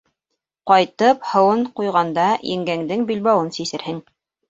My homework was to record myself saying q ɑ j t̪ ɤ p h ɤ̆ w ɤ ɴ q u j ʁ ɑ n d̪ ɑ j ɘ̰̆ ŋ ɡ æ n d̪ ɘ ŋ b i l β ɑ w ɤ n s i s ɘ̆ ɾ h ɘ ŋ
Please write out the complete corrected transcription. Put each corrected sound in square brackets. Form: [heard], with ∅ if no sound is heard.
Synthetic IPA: q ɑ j t̪ ɤ p h ɤ̆ w ɤ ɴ q u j ʁ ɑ n d̪ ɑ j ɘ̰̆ ŋ ɡ æ [ŋ] d̪ ɘ ŋ b i l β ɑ w ɤ n s i s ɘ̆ ɾ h ɘ ŋ